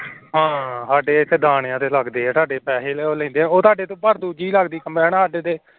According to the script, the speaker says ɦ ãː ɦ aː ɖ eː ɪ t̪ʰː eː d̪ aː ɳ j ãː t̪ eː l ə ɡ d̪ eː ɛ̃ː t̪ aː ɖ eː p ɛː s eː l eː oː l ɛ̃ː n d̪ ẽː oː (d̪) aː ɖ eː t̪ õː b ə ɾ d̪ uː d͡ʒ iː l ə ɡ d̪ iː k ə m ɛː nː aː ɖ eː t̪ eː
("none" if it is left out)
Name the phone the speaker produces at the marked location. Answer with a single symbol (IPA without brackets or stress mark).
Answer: t̪